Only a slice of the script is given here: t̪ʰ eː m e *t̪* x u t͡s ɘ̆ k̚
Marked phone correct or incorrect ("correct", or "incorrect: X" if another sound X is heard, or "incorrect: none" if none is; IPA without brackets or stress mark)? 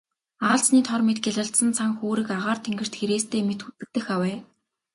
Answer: correct